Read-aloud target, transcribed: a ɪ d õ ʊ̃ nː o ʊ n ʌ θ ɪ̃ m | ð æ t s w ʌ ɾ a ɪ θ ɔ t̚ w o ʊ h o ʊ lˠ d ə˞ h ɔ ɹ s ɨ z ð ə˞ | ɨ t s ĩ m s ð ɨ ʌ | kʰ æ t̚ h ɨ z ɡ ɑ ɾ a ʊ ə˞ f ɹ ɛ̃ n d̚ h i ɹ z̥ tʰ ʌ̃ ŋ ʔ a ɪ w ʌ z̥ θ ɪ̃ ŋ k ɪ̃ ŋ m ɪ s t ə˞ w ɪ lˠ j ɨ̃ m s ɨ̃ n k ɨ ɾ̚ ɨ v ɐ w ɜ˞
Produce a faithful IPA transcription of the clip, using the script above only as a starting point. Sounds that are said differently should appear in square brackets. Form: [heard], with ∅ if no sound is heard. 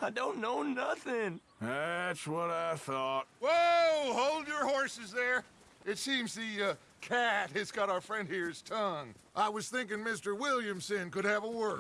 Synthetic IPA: a ɪ d õ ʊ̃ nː o ʊ n ʌ θ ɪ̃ [ŋ] | ð æ t s w ʌ ɾ a ɪ θ ɔ t̚ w o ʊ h o ʊ lˠ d ə˞ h ɔ ɹ s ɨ z ð ə˞ | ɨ t s ĩ m [z] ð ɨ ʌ | kʰ æ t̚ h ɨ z ɡ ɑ ɾ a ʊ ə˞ f ɹ ɛ̃ n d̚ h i ɹ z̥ tʰ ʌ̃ ŋ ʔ a ɪ w ʌ z̥ θ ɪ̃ ŋ k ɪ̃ ŋ m ɪ s t ə˞ w ɪ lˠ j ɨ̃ m s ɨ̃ n k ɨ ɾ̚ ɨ v [ə] w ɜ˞

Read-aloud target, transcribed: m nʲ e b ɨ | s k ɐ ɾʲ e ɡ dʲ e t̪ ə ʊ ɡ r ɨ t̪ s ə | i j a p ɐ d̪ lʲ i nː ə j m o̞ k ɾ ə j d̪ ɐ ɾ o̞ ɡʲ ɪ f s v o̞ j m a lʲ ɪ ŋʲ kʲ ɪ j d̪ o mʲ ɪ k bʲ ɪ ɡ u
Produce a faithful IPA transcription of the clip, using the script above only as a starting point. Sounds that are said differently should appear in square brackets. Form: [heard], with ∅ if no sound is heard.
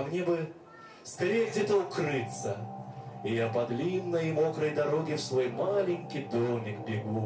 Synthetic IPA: m nʲ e b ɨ | s k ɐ ɾʲ e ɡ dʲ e t̪ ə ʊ [k] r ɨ t̪ s ə | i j a p ɐ d̪ lʲ i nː ə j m o̞ k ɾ ə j d̪ ɐ ɾ o̞ ɡʲ ɪ f s v o̞ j m a lʲ ɪ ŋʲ kʲ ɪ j d̪ o mʲ ɪ k bʲ ɪ ɡ u

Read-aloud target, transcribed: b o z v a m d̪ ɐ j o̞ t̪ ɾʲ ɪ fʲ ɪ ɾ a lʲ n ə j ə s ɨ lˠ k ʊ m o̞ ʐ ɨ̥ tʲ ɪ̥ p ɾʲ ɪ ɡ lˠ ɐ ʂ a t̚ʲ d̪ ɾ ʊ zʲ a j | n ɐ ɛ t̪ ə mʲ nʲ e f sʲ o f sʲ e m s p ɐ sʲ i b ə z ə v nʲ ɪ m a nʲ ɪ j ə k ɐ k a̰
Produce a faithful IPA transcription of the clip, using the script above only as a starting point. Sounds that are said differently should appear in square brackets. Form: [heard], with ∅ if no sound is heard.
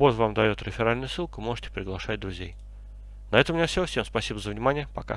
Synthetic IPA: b o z v a m d̪ ɐ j o̞ t̪ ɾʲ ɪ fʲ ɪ ɾ a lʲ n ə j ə s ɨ lˠ k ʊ m o̞ ʐ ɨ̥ tʲ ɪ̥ p ɾʲ ɪ ɡ lˠ ɐ ʂ a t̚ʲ d̪ ɾ ʊ zʲ [e] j | n ɐ ɛ t̪ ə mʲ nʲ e f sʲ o f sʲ e m s p ɐ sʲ i b ə z ə v nʲ ɪ m a nʲ ɪ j ə [p] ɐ k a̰

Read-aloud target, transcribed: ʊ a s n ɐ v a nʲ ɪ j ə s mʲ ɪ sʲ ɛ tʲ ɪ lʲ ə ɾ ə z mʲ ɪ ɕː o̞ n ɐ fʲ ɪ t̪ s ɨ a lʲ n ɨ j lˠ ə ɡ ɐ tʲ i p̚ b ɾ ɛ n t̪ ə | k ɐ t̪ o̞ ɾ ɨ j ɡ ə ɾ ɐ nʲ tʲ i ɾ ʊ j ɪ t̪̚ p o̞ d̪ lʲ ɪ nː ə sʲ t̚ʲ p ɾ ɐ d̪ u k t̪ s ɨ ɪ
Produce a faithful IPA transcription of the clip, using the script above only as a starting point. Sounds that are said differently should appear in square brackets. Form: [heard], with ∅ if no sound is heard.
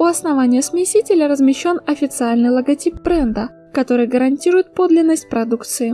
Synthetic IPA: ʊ [ɐ] s n ɐ v a nʲ ɪ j ə s mʲ ɪ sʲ [i] tʲ ɪ lʲ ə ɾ ə z mʲ ɪ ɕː o̞ n ɐ fʲ ɪ t̪ s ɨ a lʲ n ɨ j lˠ ə ɡ ɐ tʲ i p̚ b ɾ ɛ n [d̪] ə | k ɐ t̪ o̞ ɾ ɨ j ɡ ə ɾ ɐ nʲ tʲ i ɾ ʊ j ɪ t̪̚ p o̞ d̪ lʲ ɪ nː ə sʲ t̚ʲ p ɾ ɐ d̪ u k t̪ s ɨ ɪ

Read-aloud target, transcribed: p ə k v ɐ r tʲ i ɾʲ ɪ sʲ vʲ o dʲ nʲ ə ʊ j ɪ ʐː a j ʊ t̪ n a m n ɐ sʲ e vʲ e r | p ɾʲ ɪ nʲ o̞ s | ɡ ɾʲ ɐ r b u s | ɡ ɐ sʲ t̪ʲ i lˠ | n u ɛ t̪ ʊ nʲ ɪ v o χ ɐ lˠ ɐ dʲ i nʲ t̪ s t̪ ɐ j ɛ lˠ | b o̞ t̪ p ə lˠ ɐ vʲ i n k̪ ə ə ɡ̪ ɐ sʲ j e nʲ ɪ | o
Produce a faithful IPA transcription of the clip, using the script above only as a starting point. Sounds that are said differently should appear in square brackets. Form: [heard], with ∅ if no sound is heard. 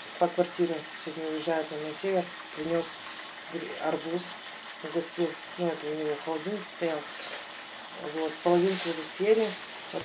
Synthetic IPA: p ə k v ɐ r tʲ i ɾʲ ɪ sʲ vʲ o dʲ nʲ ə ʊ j ɪ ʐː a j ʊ t̪ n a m n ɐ sʲ e vʲ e r | p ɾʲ ɪ nʲ o̞ s | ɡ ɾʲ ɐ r b u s | ɡ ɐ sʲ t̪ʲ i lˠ | n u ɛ t̪ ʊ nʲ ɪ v o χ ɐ lˠ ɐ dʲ i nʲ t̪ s t̪ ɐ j [a] lˠ | [v] o̞ t̪ p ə lˠ ɐ vʲ i n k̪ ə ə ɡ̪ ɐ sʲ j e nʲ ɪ | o

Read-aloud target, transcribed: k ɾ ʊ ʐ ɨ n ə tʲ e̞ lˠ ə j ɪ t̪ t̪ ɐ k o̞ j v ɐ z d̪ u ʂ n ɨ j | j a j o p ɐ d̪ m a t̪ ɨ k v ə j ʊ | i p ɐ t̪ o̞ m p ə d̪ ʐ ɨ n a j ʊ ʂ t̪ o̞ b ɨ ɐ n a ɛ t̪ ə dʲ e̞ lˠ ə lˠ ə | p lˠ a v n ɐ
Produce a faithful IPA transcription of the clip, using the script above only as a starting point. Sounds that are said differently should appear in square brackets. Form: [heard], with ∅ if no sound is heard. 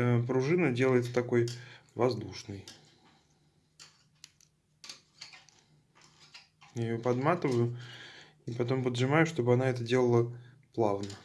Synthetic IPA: [p] ɾ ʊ ʐ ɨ n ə [dʲ] e̞ lˠ ə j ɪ t̪ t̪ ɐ k o̞ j v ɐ z d̪ u ʂ n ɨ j | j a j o p ɐ d̪ m a t̪ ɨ [∅] v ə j ʊ | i p ɐ t̪ o̞ m p ə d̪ ʐ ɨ [m] a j ʊ ʂ t̪ o̞ b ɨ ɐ n a ɛ t̪ ə dʲ e̞ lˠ ə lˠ ə | p lˠ a v n [ə]

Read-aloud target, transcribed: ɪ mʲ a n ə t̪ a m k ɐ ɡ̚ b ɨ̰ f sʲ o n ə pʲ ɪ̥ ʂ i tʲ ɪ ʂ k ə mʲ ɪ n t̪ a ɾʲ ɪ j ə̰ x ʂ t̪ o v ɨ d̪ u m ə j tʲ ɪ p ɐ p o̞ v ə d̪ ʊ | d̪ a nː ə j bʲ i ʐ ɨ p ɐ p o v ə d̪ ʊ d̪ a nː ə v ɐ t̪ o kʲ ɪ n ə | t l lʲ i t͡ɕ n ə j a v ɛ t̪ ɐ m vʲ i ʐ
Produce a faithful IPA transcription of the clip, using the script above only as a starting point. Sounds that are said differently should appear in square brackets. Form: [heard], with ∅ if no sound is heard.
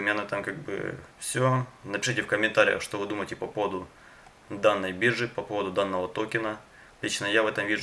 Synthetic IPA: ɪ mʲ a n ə t̪ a m k [a] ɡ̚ b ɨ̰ f sʲ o n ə pʲ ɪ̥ ʂ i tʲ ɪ [f] k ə mʲ ɪ n t̪ a ɾʲ ɪ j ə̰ x ʂ t̪ o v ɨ d̪ u m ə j tʲ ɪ p ɐ p o̞ v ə d̪ ʊ | d̪ a nː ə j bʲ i ʐ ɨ p ɐ p o v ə d̪ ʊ d̪ a nː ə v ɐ t̪ o kʲ ɪ n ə | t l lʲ i t͡ɕ n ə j a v ɛ t̪ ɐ m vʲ i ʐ

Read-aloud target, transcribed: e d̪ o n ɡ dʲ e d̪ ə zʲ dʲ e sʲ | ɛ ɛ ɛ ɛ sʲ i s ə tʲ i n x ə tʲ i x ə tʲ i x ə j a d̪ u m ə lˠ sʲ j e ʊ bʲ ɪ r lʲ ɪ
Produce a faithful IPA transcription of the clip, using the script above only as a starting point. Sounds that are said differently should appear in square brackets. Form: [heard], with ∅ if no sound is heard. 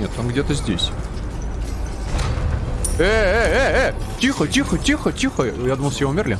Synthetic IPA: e [t̪] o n ɡ dʲ e [t̪] ə zʲ dʲ e sʲ | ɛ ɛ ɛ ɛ [tʲ] i [x] ə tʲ i [∅] x ə tʲ i x ə tʲ i x ə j a d̪ u m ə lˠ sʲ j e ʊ [mʲ] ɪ r lʲ ɪ

